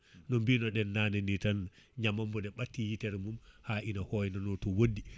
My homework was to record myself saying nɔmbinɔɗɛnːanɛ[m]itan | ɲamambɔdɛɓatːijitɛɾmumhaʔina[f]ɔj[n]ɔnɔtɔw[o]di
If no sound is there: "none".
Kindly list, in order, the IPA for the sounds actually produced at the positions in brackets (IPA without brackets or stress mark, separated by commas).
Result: n, h, n, o